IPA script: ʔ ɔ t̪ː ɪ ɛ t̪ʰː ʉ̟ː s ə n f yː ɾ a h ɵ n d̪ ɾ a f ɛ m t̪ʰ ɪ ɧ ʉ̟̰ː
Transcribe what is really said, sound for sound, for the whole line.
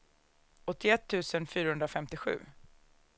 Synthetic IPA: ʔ ɔ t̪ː ɪ ɛ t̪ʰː ʉ̟ː s ə n f yː ɾ a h ɵ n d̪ ɾ a f ɛ m t̪ ɪ ɧ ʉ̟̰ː